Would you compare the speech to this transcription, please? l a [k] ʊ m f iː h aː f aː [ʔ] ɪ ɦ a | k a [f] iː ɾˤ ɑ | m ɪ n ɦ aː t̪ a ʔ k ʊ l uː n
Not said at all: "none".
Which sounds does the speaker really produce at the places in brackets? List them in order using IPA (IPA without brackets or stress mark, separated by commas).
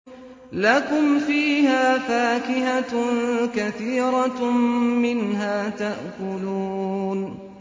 k, k, θ